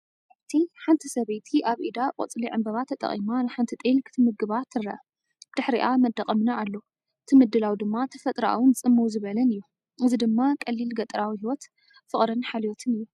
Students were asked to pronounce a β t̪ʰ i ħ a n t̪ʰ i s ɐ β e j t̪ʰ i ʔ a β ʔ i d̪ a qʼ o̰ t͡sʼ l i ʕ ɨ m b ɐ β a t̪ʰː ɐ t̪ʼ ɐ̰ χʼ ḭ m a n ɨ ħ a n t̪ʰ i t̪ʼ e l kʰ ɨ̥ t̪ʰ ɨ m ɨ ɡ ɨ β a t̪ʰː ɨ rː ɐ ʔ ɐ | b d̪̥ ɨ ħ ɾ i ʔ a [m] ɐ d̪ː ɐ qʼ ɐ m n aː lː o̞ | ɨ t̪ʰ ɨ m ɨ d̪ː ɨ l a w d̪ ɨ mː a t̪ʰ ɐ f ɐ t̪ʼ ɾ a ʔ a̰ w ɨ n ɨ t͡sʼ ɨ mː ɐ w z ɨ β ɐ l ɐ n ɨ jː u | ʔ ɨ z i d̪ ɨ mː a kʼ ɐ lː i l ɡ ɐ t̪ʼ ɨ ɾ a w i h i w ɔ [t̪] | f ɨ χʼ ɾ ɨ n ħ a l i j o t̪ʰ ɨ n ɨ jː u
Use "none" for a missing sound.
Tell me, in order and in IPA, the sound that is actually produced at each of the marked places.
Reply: m, t̪

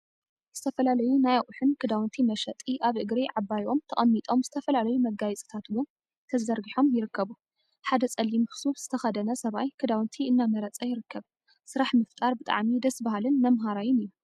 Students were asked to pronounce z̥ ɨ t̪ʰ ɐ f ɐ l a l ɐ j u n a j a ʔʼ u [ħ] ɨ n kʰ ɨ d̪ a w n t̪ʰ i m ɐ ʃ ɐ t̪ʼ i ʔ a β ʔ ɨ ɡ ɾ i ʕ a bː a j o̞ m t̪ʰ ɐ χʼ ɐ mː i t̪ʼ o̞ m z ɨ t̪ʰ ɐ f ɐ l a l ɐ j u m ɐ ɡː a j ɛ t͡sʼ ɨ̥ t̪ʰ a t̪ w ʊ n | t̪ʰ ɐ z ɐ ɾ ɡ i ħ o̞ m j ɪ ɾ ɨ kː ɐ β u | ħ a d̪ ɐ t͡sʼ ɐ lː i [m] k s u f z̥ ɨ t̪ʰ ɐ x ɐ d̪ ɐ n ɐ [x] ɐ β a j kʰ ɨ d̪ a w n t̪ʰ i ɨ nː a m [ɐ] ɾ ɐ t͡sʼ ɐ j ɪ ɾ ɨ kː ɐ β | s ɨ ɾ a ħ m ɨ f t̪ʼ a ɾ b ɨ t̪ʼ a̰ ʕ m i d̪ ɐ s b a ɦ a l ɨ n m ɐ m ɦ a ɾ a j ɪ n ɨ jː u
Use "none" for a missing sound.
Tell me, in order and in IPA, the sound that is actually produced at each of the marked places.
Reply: ħ, m, s, ɐ

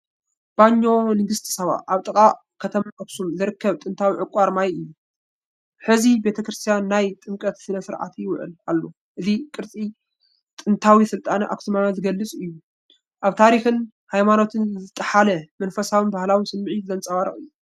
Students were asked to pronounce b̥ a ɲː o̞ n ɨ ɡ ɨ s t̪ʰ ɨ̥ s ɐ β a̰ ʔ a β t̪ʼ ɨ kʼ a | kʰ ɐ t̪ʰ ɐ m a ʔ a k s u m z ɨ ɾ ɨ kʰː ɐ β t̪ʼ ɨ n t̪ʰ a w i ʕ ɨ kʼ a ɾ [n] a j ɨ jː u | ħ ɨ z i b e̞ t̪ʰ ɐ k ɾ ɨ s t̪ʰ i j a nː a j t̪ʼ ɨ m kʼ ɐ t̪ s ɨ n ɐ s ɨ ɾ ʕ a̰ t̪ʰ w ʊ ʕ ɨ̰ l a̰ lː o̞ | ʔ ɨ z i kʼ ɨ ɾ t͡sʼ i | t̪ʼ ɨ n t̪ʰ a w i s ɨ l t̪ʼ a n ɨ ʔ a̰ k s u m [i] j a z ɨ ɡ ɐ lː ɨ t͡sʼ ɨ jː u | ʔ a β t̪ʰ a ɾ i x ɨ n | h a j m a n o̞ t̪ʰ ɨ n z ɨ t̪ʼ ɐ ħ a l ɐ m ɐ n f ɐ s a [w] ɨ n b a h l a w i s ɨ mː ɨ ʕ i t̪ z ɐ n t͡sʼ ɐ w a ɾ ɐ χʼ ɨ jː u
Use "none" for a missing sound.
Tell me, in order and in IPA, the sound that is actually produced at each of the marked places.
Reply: m, a, w

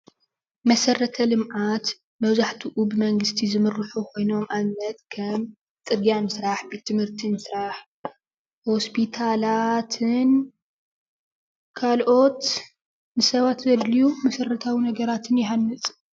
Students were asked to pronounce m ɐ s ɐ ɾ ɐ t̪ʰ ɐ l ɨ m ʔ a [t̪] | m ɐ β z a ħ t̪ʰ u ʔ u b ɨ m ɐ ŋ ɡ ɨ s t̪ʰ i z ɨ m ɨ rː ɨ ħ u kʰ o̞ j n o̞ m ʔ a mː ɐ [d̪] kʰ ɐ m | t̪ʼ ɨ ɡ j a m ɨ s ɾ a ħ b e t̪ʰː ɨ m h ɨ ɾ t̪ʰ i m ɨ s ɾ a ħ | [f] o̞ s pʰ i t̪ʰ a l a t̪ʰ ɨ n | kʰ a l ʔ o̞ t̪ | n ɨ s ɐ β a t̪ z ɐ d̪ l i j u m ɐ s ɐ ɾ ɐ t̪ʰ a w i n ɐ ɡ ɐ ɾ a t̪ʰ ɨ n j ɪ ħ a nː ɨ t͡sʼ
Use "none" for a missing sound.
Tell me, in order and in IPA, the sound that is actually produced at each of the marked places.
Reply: t̪, t̪, h

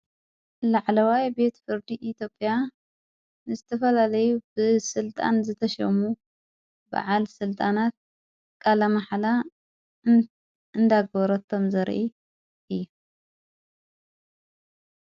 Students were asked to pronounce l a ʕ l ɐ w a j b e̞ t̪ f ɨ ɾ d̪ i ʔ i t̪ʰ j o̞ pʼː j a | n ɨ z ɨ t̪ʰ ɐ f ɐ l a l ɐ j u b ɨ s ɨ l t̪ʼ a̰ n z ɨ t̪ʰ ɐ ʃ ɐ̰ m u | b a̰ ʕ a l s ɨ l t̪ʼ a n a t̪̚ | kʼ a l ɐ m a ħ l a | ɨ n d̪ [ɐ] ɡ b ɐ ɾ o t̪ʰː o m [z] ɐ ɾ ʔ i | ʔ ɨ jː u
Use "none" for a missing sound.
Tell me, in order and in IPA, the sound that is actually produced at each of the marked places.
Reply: a, z

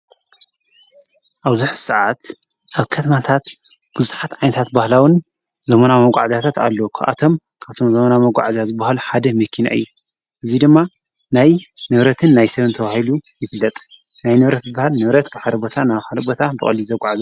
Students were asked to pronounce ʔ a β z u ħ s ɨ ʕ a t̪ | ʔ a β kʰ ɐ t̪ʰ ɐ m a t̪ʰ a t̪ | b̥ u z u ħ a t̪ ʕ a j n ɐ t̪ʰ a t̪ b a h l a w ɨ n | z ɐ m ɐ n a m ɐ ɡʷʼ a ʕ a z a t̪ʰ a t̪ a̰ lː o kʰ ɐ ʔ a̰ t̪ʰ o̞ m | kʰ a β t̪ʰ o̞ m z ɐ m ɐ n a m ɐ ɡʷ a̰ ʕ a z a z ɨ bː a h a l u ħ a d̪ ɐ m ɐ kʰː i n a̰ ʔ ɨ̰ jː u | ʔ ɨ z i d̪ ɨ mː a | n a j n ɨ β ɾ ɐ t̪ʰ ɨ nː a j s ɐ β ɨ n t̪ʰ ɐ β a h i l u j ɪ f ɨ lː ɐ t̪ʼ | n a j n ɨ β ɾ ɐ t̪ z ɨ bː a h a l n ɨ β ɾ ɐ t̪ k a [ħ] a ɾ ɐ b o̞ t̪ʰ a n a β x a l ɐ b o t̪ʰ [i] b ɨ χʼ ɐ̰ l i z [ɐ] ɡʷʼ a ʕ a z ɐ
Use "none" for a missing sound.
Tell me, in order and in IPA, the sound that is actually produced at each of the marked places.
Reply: ħ, a, ɐ

